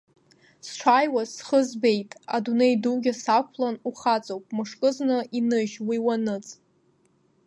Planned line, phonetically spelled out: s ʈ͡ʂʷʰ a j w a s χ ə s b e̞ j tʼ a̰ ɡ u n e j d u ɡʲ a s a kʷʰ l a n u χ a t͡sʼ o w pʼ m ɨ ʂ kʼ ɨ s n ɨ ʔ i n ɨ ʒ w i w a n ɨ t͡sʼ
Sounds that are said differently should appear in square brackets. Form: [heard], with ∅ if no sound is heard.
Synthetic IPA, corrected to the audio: s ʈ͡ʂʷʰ a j w a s χ ə [z] b e̞ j tʼ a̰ [d] u n e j d u ɡʲ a s a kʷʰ l a n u χ a t͡sʼ o w pʼ m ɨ ʂ kʼ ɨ [z] n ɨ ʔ i n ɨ ʒ w i w a n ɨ t͡sʼ

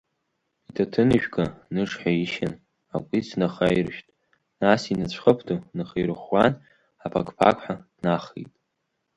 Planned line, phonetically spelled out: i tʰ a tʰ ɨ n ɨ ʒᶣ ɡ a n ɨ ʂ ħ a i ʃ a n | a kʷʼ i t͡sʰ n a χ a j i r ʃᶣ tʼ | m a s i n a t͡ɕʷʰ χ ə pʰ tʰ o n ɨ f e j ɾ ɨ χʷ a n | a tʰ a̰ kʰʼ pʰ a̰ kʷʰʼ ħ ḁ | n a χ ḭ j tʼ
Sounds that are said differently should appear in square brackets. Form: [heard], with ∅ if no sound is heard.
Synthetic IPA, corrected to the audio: i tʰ a tʰ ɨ n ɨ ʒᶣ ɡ a n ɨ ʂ ħ a i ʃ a n | a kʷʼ i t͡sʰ n a χ a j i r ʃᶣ tʼ | [n] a s i n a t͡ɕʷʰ χ ə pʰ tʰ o n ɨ [χ] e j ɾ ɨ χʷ a n | a [pʰ] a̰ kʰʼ pʰ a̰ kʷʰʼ ħ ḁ | n a χ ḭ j tʼ

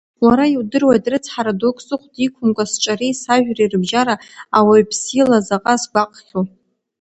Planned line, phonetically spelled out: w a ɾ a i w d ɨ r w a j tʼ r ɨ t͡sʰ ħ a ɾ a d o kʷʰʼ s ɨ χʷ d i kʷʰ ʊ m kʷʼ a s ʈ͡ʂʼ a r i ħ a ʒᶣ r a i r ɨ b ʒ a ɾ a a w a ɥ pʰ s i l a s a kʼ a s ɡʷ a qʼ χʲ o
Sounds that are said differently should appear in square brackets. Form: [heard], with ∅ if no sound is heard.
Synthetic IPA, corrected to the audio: w a ɾ a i w d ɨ r w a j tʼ r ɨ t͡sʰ ħ a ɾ a d o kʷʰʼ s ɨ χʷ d i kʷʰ ʊ m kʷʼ a s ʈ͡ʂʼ a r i [s] a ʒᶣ r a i r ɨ b ʒ a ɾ a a w a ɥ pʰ s i l a [z] a [qʼ] a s ɡʷ a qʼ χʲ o

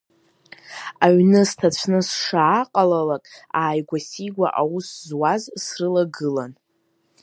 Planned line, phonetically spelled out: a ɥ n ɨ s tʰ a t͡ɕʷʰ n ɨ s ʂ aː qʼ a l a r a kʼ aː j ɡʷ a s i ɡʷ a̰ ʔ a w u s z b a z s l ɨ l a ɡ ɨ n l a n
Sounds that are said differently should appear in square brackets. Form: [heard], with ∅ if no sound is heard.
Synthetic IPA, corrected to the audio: a ɥ n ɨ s tʰ a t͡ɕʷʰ n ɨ s ʂ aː qʼ a l a [l] a kʼ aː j ɡʷ a s i ɡʷ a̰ ʔ a w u s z [w] a z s [r] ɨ l a ɡ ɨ [∅] l a n

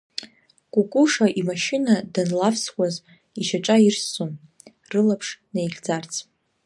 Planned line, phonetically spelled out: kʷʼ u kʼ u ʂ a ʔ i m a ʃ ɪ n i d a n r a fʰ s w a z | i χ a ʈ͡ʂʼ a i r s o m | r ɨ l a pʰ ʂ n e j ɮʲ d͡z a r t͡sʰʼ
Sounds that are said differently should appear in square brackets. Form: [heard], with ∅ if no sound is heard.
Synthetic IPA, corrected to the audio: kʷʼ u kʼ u ʂ a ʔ i m a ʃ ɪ n [a] d a n [l] a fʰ s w a z | i [ʃ] a ʈ͡ʂʼ a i r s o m | r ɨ l a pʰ ʂ n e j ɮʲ d͡z a r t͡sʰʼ

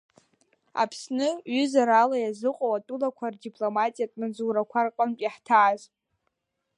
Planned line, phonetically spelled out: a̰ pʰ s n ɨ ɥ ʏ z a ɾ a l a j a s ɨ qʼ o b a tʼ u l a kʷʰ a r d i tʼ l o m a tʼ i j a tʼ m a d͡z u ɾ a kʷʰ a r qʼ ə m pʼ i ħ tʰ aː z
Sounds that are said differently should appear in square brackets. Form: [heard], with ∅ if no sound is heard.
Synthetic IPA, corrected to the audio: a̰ pʰ s n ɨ ɥ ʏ z a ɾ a l a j a [z] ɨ qʼ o [w] a tʼ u l a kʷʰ a r d i [pʼ] l o m a tʼ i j a tʼ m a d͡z u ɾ a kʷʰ a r qʼ ə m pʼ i ħ tʰ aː z

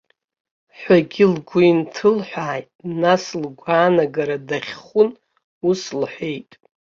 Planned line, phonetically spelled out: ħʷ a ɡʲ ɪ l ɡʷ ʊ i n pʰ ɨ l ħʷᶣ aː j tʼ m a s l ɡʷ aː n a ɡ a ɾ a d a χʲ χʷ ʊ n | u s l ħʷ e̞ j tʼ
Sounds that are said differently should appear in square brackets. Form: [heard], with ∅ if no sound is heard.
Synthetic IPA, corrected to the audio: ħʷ a ɡʲ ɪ l ɡʷ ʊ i n [tʰ] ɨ l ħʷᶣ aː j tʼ [n] a s l ɡʷ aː n a ɡ a ɾ a d a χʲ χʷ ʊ n | u s l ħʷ e̞ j tʼ

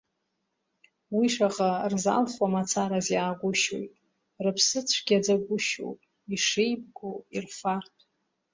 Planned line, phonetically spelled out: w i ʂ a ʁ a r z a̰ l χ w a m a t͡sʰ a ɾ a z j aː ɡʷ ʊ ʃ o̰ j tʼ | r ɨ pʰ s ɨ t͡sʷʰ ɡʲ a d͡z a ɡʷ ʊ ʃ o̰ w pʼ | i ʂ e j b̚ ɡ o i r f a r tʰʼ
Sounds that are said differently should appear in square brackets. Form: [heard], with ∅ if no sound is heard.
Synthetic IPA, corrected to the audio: w i ʂ a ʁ a r z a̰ l χ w a m a t͡sʰ a ɾ a z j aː ɡʷ ʊ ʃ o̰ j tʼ | r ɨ pʰ s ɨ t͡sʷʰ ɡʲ a d͡z a ɡʷ ʊ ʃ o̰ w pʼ | i ʂ e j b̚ ɡ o i r f a r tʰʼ

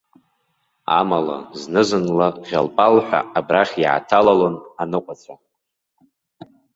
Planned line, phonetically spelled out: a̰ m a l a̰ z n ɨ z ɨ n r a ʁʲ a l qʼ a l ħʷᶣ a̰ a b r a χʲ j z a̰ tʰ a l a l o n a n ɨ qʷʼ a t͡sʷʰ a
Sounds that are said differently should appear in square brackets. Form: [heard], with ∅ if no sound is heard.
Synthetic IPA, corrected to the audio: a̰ m a l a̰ z n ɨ z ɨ n [l] a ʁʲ a l [pʼ] a l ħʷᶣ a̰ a b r a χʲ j [ʕ] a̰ tʰ a l a l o n a n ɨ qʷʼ a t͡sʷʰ a

